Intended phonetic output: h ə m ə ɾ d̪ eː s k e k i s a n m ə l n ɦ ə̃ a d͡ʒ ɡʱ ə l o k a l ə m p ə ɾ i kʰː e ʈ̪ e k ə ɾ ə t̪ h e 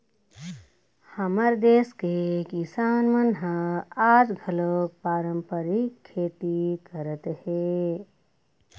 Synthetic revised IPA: h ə m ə ɾ d̪ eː s k e k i s a n m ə n ɦ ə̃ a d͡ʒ ɡʱ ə l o p a ɾ ə m p ə ɾ i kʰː e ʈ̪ i k ə ɾ ə t̪ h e